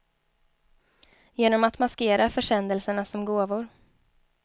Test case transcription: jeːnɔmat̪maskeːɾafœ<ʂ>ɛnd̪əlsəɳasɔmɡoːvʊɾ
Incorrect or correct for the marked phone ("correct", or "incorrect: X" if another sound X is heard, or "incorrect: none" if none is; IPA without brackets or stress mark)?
correct